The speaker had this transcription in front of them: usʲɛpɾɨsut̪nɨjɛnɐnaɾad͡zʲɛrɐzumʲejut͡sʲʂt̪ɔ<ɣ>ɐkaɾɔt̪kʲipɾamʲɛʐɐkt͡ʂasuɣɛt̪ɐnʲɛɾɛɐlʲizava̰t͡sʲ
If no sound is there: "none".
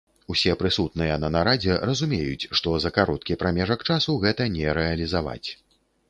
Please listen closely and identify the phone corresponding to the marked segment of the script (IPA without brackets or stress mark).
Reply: z